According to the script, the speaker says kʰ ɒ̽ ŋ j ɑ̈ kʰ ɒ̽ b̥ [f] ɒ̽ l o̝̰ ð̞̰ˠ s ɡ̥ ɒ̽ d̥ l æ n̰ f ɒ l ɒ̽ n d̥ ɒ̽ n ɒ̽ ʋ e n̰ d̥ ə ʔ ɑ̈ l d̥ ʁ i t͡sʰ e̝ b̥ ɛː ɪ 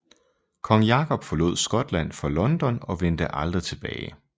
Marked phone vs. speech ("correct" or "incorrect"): correct